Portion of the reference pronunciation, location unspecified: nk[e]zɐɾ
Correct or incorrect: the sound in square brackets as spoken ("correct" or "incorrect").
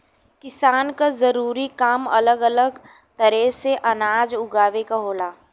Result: incorrect